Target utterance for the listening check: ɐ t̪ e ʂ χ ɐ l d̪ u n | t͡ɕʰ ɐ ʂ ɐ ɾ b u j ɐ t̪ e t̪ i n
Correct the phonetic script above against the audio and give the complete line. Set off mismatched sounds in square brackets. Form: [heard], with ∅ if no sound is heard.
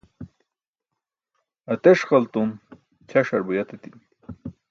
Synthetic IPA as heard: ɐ t̪ e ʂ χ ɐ l [t̪] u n | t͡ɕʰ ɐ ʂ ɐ ɾ b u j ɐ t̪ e t̪ i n

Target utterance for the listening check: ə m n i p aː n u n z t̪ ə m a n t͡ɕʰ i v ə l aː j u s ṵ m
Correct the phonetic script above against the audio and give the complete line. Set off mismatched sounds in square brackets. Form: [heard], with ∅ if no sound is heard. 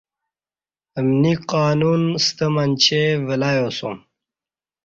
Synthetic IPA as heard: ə m n i [q] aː n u n [s] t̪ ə m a n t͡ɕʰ [e] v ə l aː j [o] s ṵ m

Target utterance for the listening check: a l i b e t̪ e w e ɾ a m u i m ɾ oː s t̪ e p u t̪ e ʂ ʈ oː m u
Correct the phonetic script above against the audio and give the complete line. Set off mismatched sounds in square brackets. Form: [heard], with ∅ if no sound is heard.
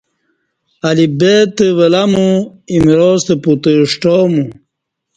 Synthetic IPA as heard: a l i b e t̪ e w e [l] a m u i m ɾ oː s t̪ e p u t̪ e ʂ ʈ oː m u

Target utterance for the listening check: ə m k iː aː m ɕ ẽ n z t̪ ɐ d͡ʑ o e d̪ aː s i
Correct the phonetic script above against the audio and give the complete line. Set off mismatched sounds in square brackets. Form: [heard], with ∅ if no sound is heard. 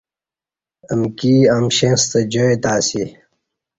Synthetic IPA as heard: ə m k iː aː m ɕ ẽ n [s] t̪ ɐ d͡ʑ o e [t̪] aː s i

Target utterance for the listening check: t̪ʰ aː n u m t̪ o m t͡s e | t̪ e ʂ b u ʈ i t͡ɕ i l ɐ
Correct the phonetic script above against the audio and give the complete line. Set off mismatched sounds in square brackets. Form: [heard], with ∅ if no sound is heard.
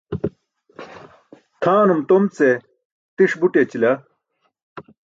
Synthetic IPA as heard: t̪ʰ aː n u m t̪ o m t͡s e | t̪ [i] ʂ b u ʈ [e] t͡ɕ i l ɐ

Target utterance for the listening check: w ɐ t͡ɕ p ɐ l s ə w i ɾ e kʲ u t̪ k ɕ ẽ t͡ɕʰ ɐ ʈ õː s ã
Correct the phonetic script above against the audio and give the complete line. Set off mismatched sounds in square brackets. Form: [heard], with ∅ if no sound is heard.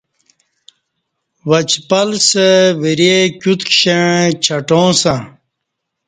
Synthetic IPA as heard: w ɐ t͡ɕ p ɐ l s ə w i ɾ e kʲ u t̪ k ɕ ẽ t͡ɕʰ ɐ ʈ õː s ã

